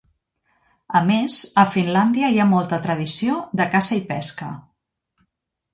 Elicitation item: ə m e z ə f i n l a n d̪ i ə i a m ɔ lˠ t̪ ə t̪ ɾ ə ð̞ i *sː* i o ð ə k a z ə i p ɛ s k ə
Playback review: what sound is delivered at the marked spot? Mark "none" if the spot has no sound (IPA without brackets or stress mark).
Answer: s